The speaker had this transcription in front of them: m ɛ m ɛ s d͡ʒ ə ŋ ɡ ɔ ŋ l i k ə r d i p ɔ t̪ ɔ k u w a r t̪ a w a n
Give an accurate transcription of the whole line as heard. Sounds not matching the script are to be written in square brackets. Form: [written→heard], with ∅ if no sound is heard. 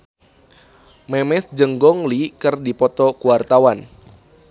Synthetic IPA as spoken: m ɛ m ɛ s d͡ʒ ə ŋ ɡ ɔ ŋ l i k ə r d i p ɔ t̪ ɔ k u w a r t̪ a w a n